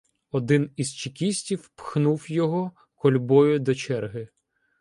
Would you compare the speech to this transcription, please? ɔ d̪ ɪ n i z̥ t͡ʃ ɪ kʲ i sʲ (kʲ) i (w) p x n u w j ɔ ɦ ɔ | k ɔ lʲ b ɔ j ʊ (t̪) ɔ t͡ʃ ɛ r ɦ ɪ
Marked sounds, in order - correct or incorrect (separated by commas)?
incorrect, correct, incorrect